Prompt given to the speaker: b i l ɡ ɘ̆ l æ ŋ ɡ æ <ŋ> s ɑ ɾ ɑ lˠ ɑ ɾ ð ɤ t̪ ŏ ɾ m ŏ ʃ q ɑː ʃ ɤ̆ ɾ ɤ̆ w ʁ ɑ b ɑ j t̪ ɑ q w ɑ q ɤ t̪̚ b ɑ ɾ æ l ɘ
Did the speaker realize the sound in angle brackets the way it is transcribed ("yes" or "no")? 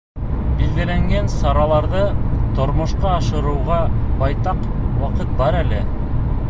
no